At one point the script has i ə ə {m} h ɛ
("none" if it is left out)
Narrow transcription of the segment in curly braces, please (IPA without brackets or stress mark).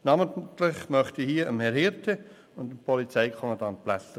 m